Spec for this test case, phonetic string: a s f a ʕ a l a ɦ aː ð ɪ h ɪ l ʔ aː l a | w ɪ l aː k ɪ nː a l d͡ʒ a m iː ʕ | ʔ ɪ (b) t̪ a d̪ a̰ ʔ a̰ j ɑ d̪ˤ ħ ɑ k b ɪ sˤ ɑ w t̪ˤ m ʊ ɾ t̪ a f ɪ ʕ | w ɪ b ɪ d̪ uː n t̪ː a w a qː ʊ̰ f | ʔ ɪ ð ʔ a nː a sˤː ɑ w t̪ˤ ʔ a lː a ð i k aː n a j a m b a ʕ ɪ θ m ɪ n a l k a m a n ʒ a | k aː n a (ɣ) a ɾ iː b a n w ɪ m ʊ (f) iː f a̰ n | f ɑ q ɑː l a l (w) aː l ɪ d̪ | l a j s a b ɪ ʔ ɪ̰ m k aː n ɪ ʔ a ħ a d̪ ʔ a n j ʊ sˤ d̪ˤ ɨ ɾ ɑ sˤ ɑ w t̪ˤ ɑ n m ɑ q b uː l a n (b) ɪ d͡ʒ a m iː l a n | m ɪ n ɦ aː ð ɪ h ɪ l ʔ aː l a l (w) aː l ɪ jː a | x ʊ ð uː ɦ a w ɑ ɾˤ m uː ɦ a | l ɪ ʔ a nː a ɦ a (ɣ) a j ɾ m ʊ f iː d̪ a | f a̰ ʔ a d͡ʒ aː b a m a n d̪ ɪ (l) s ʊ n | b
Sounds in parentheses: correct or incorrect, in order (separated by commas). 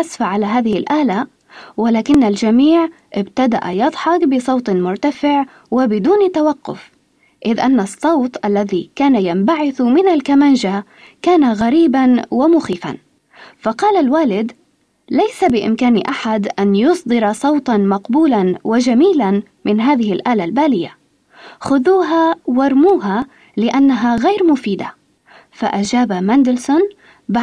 correct, correct, incorrect, correct, incorrect, incorrect, correct, correct